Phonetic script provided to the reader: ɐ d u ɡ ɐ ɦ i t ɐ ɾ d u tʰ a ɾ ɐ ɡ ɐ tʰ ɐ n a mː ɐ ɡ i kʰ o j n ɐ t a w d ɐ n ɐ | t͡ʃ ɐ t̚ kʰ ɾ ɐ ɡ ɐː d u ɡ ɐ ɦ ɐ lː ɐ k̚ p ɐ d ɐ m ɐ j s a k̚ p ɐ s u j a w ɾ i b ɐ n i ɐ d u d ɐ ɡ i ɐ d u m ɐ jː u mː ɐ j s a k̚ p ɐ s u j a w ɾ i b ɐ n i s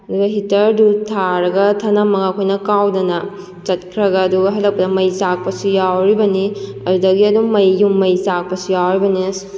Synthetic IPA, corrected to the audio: ɐ d u ɡ ɐ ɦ i t ɐ ɾ d u tʰ a ɾ ɐ ɡ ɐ tʰ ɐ n a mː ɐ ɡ a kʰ o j n ɐ k a w d ɐ n ɐ | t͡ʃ ɐ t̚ kʰ ɾ ɐ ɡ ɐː d u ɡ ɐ ɦ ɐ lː ɐ k̚ p ɐ d ɐ m ɐ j s a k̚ p ɐ s u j a w ɾ i b ɐ n i ɐ d u d ɐ ɡ i ɐ d u m ɐ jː u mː ɐ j s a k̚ p ɐ s u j a w ɾ i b ɐ n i s